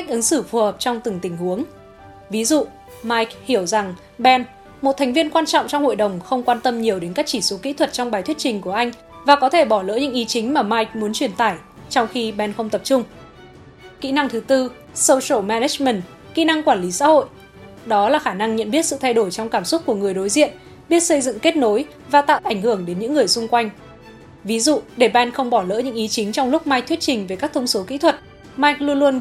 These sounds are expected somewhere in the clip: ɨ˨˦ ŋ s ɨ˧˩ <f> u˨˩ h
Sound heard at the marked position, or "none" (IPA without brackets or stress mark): f